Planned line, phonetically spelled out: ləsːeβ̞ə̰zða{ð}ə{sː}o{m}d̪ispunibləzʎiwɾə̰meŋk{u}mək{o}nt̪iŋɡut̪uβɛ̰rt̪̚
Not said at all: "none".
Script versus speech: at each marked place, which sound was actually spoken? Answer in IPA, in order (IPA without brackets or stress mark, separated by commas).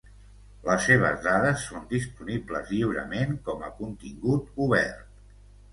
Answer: ð, sː, n, ɔ, u